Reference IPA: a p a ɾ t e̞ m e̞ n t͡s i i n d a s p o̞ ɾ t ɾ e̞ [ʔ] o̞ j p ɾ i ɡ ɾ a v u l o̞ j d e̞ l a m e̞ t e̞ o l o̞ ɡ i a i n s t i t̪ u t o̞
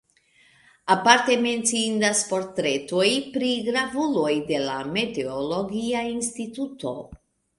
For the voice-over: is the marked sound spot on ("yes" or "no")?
no